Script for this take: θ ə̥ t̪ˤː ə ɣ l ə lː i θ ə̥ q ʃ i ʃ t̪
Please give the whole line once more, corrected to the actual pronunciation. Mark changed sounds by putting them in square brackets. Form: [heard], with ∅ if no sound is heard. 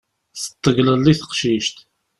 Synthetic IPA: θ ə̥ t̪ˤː ə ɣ l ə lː i θ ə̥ q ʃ i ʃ t̪